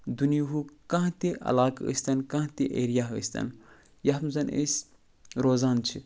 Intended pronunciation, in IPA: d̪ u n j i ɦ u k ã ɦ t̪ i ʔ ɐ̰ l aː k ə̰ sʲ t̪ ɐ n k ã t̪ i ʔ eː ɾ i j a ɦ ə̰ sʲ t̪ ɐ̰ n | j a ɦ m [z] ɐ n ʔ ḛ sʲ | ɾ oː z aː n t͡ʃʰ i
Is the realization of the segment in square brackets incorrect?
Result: no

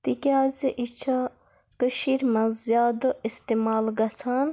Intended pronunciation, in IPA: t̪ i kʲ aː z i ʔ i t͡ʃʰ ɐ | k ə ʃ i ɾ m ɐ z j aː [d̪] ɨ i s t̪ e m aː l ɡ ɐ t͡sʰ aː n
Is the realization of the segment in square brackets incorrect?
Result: no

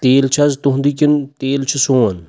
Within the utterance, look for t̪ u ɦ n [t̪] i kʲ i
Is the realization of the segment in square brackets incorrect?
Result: yes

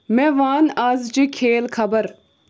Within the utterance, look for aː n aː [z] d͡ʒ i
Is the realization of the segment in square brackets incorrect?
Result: no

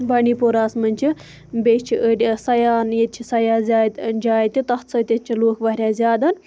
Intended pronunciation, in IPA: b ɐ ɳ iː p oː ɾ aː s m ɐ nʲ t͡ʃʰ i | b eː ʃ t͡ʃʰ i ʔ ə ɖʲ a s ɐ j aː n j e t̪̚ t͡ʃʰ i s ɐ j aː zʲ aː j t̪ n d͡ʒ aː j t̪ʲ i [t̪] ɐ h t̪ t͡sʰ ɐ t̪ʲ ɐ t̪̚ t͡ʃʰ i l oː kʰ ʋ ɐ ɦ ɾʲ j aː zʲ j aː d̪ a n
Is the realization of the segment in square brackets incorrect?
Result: no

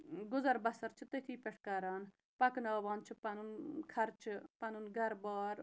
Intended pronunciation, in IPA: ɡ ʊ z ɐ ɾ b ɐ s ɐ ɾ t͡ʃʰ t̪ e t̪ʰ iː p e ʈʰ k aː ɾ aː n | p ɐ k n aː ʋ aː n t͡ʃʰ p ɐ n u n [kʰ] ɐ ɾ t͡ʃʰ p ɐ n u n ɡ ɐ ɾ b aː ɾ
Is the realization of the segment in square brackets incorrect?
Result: no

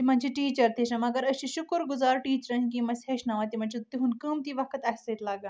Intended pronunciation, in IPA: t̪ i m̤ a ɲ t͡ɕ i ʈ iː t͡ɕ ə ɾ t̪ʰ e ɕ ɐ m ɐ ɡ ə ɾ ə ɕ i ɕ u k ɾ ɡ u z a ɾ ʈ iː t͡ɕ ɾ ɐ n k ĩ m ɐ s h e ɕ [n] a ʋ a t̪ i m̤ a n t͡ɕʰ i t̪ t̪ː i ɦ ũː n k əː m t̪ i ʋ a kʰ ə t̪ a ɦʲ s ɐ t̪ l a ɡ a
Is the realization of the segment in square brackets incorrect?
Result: no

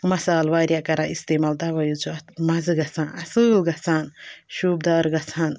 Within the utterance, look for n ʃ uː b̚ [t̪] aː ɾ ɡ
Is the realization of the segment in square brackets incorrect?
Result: yes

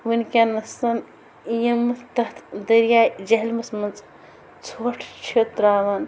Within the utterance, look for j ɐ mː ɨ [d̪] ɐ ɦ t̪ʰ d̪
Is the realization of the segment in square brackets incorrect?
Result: yes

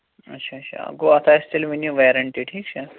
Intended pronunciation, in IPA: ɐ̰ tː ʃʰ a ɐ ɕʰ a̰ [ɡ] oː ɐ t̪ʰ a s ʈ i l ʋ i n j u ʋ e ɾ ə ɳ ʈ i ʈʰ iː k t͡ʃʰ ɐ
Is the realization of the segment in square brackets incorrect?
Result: no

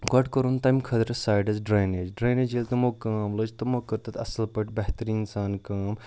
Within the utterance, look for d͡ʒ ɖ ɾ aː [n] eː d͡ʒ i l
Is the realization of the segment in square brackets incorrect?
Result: no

